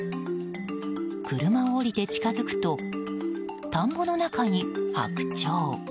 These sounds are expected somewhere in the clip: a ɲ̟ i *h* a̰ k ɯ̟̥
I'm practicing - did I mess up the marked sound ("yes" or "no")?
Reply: no